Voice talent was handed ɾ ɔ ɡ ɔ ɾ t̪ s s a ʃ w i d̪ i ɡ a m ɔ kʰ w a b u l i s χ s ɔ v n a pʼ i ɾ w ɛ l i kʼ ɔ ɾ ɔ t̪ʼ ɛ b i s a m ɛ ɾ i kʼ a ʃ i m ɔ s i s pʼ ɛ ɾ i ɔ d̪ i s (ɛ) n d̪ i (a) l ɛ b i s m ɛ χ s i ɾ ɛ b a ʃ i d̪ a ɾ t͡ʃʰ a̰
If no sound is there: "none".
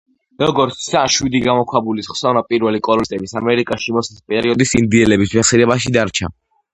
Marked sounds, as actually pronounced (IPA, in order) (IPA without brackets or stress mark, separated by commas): i, ɛ